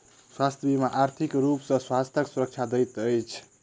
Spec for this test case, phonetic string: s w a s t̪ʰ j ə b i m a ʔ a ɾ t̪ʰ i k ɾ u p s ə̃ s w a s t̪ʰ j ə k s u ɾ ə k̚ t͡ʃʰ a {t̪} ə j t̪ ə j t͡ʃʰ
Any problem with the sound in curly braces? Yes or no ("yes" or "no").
yes